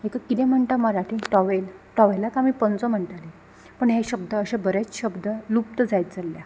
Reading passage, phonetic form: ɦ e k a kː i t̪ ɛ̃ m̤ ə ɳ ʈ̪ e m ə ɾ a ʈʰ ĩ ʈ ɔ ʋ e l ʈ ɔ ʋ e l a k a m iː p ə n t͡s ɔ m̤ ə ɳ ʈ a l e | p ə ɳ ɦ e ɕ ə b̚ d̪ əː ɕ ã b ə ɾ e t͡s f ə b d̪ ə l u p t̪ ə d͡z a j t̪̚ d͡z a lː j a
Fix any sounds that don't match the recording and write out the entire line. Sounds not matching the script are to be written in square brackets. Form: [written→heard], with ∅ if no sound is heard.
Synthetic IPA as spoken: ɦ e k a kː i t̪ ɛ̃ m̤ ə ɳ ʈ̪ [e→a] m ə ɾ a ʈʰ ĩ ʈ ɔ ʋ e l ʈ ɔ ʋ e l a k a m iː p ə n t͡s ɔ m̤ ə ɳ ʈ a l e | p ə ɳ ɦ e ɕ ə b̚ d̪ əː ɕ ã b ə ɾ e t͡s [f→ɕ] ə b d̪ ə l u p t̪ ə d͡z a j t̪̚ d͡z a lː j a